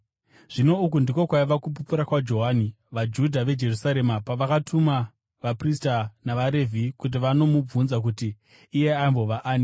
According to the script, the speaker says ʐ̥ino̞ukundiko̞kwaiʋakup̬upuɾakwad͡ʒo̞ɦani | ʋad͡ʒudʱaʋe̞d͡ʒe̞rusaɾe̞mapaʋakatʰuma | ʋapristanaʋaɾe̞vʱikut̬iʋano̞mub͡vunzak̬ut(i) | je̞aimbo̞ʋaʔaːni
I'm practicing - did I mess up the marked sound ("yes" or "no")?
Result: yes